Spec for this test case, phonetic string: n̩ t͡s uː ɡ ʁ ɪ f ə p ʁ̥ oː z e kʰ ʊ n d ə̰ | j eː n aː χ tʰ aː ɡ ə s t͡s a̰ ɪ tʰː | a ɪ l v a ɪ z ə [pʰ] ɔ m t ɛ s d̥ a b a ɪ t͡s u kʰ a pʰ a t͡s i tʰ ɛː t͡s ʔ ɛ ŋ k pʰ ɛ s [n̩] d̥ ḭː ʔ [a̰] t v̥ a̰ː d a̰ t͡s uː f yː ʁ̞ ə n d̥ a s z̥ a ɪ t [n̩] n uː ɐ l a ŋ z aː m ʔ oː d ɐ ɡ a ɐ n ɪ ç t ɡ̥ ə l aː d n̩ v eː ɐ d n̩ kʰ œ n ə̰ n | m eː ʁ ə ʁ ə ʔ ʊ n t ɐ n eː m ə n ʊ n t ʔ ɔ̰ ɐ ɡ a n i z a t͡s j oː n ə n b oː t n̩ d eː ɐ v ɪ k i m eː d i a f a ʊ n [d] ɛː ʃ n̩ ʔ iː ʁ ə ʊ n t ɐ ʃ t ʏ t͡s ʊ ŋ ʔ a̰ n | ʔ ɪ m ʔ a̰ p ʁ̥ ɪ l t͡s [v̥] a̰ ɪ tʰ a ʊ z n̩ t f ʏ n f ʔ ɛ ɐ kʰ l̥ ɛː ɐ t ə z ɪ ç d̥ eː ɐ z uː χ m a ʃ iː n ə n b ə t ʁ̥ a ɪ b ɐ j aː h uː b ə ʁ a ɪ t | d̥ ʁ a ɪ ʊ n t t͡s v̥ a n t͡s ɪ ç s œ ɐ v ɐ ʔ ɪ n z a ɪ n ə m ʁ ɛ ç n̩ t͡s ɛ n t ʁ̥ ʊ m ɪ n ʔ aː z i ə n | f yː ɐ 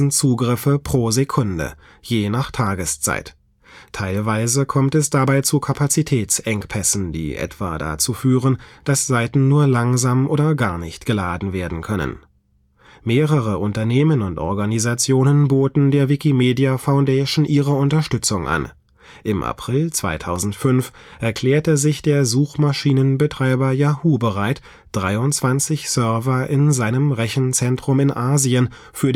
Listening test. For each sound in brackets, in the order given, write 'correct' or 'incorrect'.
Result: incorrect, correct, incorrect, correct, correct, correct

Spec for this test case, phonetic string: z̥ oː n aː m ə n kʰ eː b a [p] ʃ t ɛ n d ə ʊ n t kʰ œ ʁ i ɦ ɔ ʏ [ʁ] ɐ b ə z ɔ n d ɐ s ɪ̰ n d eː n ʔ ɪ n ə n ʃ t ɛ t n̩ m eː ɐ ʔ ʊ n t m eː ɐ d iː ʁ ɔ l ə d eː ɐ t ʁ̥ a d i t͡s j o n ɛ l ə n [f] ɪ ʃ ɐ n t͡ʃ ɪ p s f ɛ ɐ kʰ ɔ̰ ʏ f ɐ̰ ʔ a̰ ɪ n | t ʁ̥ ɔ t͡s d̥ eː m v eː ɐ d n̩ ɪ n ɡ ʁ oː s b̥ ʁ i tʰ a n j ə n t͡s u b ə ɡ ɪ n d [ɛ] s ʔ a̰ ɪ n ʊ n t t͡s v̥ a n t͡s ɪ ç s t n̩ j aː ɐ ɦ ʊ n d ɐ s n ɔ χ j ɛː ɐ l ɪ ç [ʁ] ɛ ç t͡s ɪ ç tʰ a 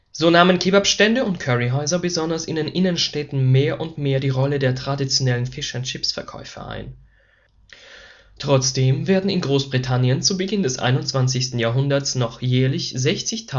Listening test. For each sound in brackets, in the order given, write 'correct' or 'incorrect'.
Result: correct, incorrect, correct, correct, incorrect

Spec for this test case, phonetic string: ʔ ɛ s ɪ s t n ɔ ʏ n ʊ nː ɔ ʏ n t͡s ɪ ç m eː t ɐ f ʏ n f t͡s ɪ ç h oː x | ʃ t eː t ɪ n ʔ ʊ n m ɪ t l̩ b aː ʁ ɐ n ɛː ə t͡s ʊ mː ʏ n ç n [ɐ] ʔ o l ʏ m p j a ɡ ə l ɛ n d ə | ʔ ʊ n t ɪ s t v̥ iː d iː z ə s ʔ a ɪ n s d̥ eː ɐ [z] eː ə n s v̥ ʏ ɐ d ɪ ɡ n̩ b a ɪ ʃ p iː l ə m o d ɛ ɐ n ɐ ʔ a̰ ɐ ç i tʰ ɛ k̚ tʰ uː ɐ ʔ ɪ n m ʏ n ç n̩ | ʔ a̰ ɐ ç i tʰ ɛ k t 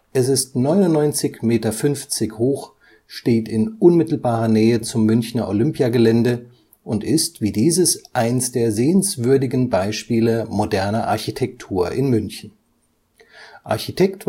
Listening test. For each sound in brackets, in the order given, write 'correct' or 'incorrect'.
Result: correct, correct

